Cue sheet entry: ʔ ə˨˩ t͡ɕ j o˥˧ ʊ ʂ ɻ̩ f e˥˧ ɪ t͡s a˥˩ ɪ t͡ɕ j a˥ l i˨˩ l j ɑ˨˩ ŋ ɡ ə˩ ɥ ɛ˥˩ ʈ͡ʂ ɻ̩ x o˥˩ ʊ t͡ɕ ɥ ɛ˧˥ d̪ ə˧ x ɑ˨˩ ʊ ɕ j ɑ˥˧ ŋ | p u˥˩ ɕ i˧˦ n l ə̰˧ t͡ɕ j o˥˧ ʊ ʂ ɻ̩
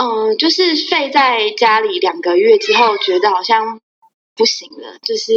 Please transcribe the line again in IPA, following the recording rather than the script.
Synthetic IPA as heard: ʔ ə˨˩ t͡ɕ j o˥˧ ʊ ʂ ɻ̩ f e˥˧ ɪ t͡s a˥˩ ɪ t͡ɕ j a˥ l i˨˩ l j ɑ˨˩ ŋ ɡ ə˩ ɥ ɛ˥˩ ʈ͡ʂ ɻ̩ x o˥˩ ʊ t͡ɕ ɥ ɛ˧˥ d̪ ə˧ x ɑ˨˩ ʊ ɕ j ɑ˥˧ ŋ | p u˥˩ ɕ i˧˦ ŋ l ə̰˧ t͡ɕ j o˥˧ ʊ ʂ ɻ̩